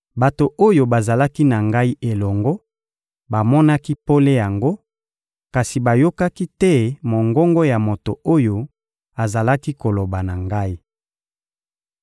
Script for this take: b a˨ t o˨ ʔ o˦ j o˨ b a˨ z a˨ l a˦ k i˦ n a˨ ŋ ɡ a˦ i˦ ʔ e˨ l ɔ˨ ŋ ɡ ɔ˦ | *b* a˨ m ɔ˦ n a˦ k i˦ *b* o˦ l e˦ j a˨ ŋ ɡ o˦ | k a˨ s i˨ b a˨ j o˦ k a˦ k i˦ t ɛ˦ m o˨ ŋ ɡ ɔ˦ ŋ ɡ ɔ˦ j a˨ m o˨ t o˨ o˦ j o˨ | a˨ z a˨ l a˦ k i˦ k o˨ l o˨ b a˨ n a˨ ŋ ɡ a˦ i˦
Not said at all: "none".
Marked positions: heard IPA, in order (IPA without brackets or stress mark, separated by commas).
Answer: b, p